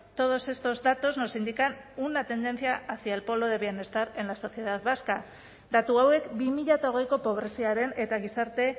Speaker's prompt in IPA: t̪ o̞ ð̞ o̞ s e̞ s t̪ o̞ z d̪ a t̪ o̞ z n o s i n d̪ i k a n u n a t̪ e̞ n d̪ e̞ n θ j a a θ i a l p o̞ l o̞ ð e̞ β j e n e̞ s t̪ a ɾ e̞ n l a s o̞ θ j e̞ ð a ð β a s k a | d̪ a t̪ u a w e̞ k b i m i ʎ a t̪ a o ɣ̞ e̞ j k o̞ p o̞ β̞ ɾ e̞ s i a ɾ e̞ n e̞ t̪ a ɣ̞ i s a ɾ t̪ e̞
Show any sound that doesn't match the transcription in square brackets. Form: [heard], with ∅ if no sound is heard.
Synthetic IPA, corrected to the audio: t̪ o̞ ð̞ o̞ s e̞ s t̪ o̞ z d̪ a t̪ o̞ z n o s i n d̪ i k a n u n a t̪ e̞ n d̪ e̞ n θ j a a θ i a l p o̞ l o̞ ð e̞ β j e n e̞ s t̪ a ɾ e̞ n l a s o̞ θ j e̞ ð a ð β a s k a | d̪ a t̪ u a w e̞ k b i m i ʎ a t̪ a o ɣ̞ e̞ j k o̞ p o̞ β̞ ɾ e̞ s i a ɾ e̞ n e̞ t̪ a ɣ̞ i s a ɾ t̪ e̞

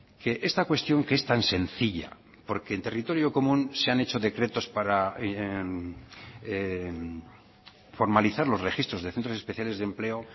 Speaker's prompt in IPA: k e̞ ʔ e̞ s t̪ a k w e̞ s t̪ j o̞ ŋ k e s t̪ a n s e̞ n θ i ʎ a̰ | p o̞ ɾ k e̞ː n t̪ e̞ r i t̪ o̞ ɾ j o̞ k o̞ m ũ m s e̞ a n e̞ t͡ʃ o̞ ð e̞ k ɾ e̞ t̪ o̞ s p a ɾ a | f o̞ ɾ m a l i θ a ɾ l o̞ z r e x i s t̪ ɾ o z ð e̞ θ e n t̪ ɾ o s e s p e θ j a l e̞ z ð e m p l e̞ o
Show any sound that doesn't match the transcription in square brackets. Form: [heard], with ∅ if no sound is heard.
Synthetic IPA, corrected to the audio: k e̞ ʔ e̞ s t̪ a k w e̞ s t̪ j o̞ ŋ k e s t̪ a n s e̞ n θ i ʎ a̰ | p o̞ ɾ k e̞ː n t̪ e̞ r i t̪ o̞ ɾ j o̞ k o̞ m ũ [n] s e̞ a n e̞ t͡ʃ o̞ ð e̞ k ɾ e̞ t̪ o̞ s p a ɾ a | f o̞ ɾ m a l i θ a ɾ l o̞ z r e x i s t̪ ɾ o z ð e̞ θ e n t̪ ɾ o s e s p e θ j a l e̞ z ð e m p l e̞ o

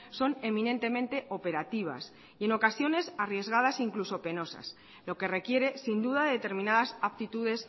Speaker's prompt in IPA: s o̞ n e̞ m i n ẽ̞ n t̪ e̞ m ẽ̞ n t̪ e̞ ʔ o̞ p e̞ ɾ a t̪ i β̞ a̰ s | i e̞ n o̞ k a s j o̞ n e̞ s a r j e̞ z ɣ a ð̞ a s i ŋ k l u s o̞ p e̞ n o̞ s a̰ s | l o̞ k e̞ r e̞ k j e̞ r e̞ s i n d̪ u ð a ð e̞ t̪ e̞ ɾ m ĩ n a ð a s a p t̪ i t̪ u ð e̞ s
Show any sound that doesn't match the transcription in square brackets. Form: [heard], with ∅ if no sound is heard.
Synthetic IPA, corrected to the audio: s o̞ n e̞ m i n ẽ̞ n t̪ e̞ m ẽ̞ n t̪ e̞ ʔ o̞ p e̞ ɾ a t̪ i β̞ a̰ s | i e̞ n o̞ k a s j o̞ n e̞ s a r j e̞ z ɣ a ð̞ a s i ŋ k l u s o̞ p e̞ n o̞ s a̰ s | l o̞ k e̞ r e̞ k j e̞ [ɾ] e̞ s i n d̪ u ð a ð e̞ t̪ e̞ ɾ m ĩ n a ð a s a p t̪ i t̪ u ð e̞ s

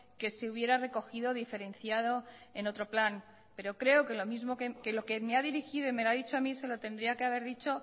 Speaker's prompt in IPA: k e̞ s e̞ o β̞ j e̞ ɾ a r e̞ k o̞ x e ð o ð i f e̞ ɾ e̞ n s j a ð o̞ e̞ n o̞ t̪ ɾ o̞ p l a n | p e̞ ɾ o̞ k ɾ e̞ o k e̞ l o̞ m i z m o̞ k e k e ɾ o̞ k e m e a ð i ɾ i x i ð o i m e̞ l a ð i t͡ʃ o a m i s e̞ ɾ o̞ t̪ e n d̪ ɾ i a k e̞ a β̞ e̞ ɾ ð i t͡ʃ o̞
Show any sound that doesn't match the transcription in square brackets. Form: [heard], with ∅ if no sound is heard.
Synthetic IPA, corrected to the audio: k e̞ s e̞ [u] β̞ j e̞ ɾ a r e̞ k o̞ x [i] ð o ð i f e̞ ɾ e̞ n [θ] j a ð o̞ e̞ n o̞ t̪ ɾ o̞ p l a n | p e̞ ɾ o̞ k ɾ e̞ o k e̞ l o̞ m i z m o̞ k e k e [l] o̞ k e m e a ð i ɾ i x i ð o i m e̞ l a ð i t͡ʃ o a m i s e̞ [l] o̞ t̪ e n d̪ ɾ i a k e̞ a β̞ e̞ ɾ ð i t͡ʃ o̞

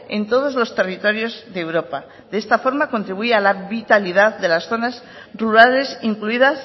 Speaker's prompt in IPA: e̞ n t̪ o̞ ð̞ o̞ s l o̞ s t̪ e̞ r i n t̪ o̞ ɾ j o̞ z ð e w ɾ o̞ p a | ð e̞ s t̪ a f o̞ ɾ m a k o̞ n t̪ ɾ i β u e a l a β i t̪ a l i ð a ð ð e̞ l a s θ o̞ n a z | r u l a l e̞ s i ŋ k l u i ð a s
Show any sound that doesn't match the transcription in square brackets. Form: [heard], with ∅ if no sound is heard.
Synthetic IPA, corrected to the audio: e̞ n t̪ o̞ ð̞ o̞ [z] l o̞ s t̪ e̞ r i [∅] t̪ o̞ ɾ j o̞ z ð e w ɾ o̞ p a | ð e̞ s t̪ a f o̞ ɾ m a k o̞ n t̪ ɾ i β u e a l a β i t̪ a l i ð a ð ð e̞ l a s θ o̞ n a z | r u [ɾ] a l e̞ s i ŋ k l u i ð a s

